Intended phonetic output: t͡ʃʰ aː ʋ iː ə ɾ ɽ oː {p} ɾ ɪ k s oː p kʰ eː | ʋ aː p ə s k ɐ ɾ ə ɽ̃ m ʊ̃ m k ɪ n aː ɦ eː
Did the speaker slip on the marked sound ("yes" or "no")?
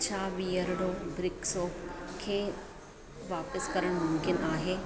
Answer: yes